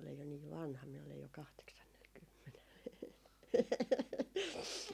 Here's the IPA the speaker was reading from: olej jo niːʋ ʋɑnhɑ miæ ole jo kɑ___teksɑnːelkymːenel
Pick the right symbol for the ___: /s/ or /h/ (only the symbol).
h